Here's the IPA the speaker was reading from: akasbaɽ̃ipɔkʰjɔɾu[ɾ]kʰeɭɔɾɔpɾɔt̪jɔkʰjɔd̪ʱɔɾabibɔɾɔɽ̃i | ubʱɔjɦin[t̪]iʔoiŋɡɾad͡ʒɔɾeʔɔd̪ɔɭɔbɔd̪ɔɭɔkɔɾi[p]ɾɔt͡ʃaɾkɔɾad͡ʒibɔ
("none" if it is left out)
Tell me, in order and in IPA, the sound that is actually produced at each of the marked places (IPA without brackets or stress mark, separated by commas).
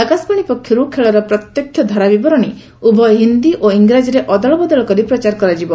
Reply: none, d̪, p